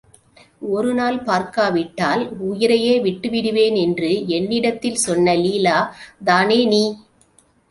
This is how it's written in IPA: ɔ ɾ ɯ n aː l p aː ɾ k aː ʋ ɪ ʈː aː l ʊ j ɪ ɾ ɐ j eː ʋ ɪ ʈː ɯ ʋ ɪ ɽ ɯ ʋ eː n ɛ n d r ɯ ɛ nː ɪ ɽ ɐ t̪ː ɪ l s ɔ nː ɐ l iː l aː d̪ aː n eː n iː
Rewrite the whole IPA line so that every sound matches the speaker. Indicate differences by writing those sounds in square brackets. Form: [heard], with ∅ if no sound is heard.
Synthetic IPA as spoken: ɔ ɾ ɯ n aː l p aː ɾ k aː ʋ ɪ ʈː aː l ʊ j ɪ ɾ ɐ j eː ʋ ɪ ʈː ɯ ʋ ɪ ɽ ɯ ʋ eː n ɛ n d r ɯ ɛ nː ɪ ɽ ɐ t̪ː ɪ l s ɔ nː ɐ l iː l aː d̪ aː n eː n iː

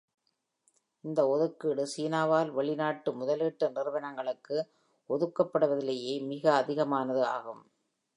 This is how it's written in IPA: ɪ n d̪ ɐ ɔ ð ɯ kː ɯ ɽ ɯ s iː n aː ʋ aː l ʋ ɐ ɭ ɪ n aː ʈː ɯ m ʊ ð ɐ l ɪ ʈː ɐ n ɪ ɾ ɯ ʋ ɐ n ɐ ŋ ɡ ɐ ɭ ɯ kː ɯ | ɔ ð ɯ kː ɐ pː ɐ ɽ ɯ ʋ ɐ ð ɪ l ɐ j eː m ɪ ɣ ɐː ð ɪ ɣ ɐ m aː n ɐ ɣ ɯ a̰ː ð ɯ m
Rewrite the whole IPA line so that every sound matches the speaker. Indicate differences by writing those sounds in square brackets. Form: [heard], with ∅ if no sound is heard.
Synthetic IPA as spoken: ɪ n d̪ ɐ ɔ ð ɯ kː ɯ ɽ ɯ s iː n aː ʋ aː l ʋ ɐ ɭ ɪ n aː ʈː ɯ m ʊ ð ɐ l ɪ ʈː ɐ n ɪ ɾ ɯ ʋ ɐ n ɐ ŋ ɡ ɐ ɭ ɯ kː ɯ | ɔ ð ɯ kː ɐ pː ɐ ɽ ɯ ʋ ɐ ð ɪ l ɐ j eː m ɪ ɣ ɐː ð ɪ ɣ ɐ m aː n ɐ [ð] ɯ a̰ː [ɣ] ɯ m

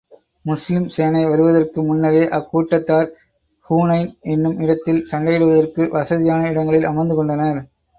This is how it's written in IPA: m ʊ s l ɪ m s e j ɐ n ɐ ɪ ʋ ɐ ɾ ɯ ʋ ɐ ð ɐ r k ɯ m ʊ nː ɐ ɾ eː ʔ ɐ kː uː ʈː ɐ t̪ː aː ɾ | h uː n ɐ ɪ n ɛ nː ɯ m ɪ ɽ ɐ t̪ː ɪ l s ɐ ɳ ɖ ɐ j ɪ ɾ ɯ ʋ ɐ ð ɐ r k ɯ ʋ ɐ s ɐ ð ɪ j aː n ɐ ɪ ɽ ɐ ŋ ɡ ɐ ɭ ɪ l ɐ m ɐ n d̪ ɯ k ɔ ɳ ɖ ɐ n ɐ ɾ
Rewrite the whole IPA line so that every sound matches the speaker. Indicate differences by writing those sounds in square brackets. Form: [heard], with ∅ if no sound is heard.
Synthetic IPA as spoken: m ʊ s l ɪ m s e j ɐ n ɐ ɪ ʋ ɐ ɾ ɯ ʋ ɐ ð ɐ r k ɯ m ʊ nː ɐ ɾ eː ʔ ɐ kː uː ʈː ɐ t̪ː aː ɾ | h uː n ɐ ɪ n ɛ nː ɯ m ɪ ɽ ɐ t̪ː ɪ l s ɐ ɳ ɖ ɐ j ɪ [ɽ] ɯ ʋ ɐ ð ɐ r k ɯ ʋ ɐ s ɐ ð ɪ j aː n ɐ ɪ ɽ ɐ ŋ ɡ ɐ ɭ ɪ l ɐ m ɐ n d̪ ɯ k ɔ ɳ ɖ ɐ n ɐ ɾ

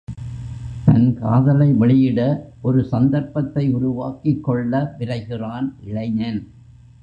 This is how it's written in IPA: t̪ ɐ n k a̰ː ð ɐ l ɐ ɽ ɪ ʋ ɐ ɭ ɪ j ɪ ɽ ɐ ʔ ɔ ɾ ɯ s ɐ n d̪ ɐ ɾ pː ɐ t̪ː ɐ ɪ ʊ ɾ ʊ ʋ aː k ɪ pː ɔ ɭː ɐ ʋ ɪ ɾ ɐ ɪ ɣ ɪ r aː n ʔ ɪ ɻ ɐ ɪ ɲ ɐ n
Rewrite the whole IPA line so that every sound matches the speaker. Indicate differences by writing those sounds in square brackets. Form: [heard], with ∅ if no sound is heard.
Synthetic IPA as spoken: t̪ ɐ n k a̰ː ð ɐ l ɐ [∅] ɪ ʋ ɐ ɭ ɪ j ɪ ɽ ɐ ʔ ɔ ɾ ɯ s ɐ n d̪ ɐ ɾ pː ɐ t̪ː ɐ ɪ ʊ ɾ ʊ ʋ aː k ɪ [kː] ɔ ɭː ɐ ʋ ɪ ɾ ɐ ɪ ɣ ɪ r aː n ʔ ɪ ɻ ɐ ɪ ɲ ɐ n

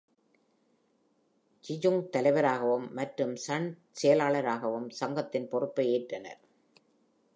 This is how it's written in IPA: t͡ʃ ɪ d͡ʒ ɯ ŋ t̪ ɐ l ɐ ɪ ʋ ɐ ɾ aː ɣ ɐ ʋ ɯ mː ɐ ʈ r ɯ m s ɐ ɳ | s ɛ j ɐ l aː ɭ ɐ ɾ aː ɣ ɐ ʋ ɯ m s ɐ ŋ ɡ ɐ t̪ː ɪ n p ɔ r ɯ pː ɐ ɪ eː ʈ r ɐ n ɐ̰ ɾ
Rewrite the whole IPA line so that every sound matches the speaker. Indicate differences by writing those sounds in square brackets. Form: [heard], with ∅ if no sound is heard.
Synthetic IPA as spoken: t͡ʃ ɪ d͡ʒ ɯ ŋ t̪ ɐ l ɐ ɪ ʋ ɐ ɾ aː ɣ ɐ ʋ ɯ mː ɐ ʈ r ɯ m s ɐ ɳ | s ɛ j ɐ l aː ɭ ɐ ɾ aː ɣ ɐ ʋ ɯ m s ɐ ŋ ɡ ɐ t̪ː ɪ n p ɔ r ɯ pː ɐ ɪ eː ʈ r ɐ n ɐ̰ ɾ

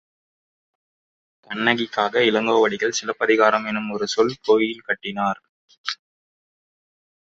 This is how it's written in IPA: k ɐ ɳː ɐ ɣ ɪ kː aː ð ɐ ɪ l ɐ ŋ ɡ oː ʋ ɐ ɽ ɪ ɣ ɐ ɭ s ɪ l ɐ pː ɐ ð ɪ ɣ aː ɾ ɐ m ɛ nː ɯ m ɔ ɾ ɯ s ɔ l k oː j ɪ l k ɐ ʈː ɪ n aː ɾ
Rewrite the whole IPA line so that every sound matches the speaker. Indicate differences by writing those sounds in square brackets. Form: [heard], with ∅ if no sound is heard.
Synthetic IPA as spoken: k ɐ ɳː ɐ ɣ ɪ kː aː [ɣ] ɐ ɪ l ɐ ŋ ɡ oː ʋ ɐ ɽ ɪ ɣ ɐ ɭ s ɪ l ɐ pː ɐ ð ɪ ɣ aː ɾ ɐ m ɛ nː ɯ m ɔ ɾ ɯ s ɔ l k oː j ɪ l k ɐ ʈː ɪ n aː ɾ

